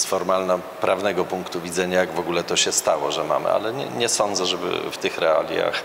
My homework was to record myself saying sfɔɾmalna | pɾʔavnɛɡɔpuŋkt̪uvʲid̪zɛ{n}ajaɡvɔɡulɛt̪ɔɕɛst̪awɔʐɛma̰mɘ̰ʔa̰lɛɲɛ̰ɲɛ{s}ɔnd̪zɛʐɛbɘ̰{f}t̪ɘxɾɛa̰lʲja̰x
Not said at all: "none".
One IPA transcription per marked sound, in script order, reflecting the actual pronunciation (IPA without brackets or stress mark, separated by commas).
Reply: ɲ, s, f